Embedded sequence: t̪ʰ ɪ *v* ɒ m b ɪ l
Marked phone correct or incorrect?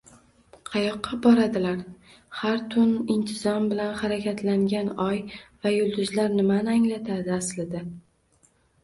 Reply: incorrect